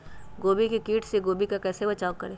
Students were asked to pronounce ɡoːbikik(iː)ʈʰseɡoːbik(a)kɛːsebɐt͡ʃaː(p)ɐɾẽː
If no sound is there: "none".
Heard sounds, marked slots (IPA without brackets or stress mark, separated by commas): iː, a, k